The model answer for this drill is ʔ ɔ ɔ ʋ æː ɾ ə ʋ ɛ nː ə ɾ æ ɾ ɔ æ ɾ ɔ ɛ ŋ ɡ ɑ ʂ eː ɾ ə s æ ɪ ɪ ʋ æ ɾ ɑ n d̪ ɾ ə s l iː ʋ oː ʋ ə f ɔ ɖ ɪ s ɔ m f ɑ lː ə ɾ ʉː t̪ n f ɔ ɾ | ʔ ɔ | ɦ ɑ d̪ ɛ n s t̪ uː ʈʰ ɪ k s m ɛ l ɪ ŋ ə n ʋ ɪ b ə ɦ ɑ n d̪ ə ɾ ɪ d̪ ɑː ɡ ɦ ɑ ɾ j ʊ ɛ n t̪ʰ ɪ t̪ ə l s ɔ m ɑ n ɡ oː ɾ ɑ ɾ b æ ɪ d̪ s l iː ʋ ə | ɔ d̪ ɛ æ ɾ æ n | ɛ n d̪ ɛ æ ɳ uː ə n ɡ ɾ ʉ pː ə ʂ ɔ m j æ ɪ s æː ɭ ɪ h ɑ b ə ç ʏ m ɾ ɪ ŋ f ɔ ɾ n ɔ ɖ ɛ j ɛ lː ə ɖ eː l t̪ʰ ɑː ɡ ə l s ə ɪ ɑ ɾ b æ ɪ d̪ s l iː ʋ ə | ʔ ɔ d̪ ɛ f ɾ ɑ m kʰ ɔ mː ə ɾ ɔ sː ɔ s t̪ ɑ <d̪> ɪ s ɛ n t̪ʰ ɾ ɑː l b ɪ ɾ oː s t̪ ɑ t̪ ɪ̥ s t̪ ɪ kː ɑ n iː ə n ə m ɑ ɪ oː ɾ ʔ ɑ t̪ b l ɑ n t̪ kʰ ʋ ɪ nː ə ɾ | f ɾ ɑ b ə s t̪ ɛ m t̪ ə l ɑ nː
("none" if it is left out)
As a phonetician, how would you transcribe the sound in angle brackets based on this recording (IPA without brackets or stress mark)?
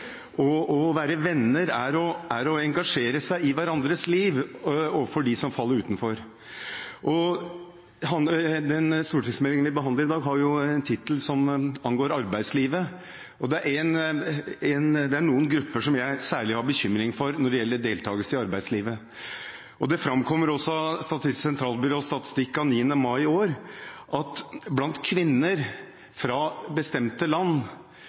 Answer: t̪